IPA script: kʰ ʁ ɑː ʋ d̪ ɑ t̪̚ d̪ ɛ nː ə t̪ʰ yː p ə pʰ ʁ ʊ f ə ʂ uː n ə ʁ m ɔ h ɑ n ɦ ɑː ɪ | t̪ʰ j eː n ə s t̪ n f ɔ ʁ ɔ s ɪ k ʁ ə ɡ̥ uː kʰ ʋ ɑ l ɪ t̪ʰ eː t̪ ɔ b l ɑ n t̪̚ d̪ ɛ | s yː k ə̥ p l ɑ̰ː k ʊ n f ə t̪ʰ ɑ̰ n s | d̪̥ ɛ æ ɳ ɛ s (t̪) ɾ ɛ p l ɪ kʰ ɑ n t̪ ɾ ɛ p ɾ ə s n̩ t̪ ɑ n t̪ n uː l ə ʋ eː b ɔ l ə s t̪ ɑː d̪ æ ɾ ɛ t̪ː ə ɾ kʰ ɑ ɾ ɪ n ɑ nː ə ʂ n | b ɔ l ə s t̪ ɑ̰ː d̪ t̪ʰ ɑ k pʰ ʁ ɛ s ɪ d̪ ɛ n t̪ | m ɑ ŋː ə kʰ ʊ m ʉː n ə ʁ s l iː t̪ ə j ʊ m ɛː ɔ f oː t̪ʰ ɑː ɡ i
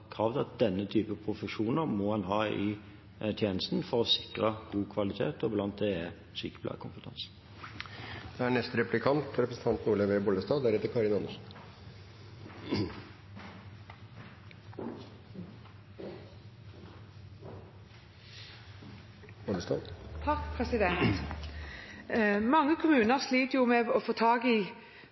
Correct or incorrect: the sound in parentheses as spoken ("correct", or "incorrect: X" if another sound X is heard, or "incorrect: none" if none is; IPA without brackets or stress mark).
correct